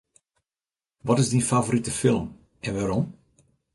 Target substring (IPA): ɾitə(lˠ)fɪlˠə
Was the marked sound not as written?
yes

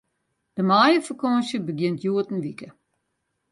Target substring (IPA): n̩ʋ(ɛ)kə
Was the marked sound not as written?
yes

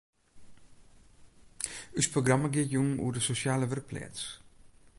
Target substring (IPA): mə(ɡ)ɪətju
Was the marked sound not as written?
no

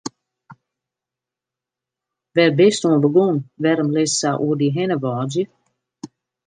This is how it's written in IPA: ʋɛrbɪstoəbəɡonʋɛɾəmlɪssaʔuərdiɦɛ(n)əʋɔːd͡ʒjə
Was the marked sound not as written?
no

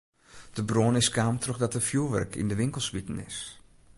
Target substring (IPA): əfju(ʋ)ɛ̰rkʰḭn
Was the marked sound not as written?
no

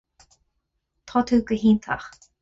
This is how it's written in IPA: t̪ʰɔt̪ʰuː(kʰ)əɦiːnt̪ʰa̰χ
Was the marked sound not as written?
yes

